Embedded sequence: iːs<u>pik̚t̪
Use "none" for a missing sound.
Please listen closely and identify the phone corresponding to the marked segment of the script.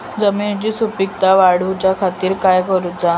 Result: u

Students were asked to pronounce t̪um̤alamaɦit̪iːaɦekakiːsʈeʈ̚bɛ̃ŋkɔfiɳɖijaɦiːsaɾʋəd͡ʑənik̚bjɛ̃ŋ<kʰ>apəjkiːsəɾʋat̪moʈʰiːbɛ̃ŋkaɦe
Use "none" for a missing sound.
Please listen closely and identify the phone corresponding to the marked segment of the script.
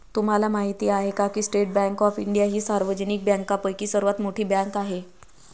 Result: k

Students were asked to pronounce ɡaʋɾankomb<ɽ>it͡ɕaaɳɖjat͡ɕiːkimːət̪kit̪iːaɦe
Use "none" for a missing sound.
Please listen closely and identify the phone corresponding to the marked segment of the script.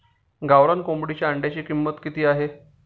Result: ɽ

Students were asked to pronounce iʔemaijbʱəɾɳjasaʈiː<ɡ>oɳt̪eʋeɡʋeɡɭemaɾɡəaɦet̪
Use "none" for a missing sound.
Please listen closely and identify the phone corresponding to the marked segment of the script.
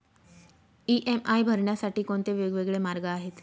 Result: k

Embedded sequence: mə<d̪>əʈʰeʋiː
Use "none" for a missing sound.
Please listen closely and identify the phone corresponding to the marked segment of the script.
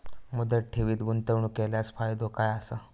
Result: d̪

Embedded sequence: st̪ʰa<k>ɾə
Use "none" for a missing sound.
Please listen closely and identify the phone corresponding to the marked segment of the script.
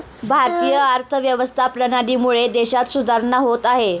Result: p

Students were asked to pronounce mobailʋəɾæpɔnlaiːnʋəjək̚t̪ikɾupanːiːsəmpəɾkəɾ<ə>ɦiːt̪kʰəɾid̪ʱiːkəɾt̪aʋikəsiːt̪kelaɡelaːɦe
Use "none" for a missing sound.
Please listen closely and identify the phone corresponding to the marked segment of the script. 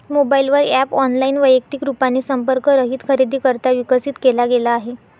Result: ə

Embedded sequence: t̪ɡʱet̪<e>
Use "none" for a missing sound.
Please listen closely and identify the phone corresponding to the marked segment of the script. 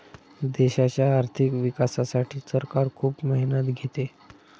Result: e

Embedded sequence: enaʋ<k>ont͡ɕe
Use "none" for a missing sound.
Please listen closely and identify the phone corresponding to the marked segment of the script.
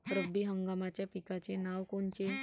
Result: k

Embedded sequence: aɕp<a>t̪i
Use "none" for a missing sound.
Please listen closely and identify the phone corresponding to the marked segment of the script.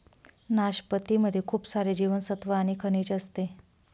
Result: ə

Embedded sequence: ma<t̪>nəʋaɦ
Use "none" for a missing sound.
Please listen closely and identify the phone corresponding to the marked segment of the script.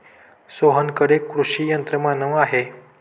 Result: none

